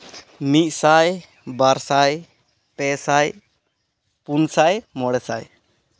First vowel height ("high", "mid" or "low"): high